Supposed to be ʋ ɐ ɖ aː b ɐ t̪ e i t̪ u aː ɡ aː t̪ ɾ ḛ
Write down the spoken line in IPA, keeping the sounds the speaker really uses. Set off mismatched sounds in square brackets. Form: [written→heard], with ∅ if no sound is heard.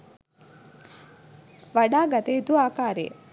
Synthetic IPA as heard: ʋ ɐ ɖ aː [b→ɡ] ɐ t̪ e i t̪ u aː [ɡ→k] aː [t̪→∅] ɾ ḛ